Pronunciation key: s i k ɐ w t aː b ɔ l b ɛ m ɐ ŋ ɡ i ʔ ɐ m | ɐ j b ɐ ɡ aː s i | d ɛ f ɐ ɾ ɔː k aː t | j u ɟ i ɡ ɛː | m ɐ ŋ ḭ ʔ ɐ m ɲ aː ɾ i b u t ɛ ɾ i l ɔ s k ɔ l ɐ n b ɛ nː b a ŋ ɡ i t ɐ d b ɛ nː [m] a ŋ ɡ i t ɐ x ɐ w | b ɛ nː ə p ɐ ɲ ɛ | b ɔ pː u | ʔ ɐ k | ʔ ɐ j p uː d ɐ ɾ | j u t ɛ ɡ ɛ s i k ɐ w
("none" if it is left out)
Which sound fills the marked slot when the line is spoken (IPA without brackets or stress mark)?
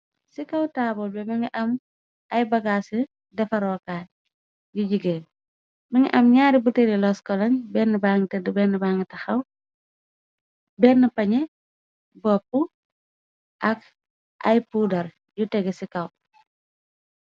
b